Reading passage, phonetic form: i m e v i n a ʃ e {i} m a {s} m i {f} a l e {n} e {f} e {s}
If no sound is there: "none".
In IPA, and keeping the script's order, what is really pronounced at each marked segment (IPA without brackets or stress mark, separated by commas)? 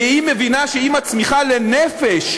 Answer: i, t͡s, χ, n, f, ʃ